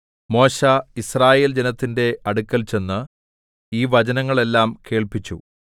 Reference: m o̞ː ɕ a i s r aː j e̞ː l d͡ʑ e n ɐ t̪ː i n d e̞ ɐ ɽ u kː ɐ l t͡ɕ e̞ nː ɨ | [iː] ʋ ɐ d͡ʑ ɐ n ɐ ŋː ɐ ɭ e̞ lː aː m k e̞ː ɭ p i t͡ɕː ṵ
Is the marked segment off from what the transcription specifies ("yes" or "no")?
no